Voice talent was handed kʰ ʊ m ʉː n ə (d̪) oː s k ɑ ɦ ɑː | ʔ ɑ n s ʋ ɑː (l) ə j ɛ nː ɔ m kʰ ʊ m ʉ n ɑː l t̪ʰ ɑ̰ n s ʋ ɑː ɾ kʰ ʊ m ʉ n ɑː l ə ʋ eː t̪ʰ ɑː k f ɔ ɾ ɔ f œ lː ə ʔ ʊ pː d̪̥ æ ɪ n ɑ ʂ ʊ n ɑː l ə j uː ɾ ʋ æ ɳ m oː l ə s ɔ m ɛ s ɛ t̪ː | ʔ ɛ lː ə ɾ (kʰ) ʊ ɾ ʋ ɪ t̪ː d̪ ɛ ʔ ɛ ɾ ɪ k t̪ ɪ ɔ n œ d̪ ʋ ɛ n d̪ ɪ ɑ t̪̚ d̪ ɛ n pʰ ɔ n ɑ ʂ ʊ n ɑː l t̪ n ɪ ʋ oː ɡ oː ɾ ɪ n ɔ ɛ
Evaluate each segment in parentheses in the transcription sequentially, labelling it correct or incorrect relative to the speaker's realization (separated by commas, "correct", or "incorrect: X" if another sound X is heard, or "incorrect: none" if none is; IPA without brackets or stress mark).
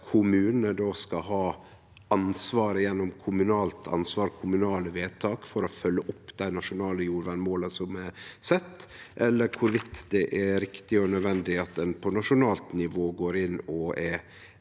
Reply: correct, incorrect: ɾ, correct